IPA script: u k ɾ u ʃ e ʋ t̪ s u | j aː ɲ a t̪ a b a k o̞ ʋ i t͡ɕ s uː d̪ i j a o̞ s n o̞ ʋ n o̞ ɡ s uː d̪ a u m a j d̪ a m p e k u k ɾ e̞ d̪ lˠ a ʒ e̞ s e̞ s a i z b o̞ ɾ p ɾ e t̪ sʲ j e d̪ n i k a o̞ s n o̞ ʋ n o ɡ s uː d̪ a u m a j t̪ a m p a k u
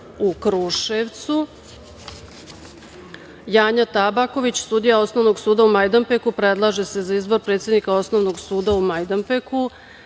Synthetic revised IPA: u k ɾ u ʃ e ʋ t̪ s u | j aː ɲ a t̪ a b a k o̞ ʋ i t͡ɕ s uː d̪ i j a o̞ s n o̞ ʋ n o̞ ɡ s uː d̪ a u m a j d̪ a m p e k u p ɾ e̞ d̪ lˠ a ʒ e̞ s e̞ z a i z b o̞ ɾ p ɾ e t̪ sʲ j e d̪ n i k a o̞ s n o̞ ʋ n o ɡ s uː d̪ a u m a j d̪ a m p e k u